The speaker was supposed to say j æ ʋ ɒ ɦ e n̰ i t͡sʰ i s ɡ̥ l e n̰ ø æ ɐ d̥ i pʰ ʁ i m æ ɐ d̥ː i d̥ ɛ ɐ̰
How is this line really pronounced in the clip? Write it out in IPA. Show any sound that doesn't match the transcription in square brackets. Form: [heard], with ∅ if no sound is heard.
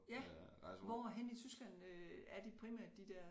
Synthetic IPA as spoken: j æ ʋ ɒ ɦ e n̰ i t͡sʰ [y] s ɡ̥ l [æ] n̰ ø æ ɐ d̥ i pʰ ʁ i m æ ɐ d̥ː i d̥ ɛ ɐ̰